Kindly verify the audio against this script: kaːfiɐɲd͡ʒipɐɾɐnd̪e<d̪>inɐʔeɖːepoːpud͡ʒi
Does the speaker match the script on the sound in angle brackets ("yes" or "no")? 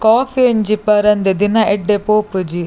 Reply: yes